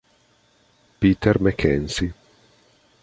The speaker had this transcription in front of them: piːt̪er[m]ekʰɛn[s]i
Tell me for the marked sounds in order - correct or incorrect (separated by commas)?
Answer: correct, correct